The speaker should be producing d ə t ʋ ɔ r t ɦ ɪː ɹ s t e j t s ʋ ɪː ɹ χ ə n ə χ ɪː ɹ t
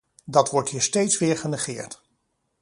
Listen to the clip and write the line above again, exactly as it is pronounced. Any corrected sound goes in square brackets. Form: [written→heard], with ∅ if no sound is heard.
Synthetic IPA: d [ə→ɑ] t ʋ ɔ [r→ɹ] t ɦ [ɪː→iː] ɹ s t e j t s ʋ ɪː ɹ χ ə n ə χ ɪː ɹ t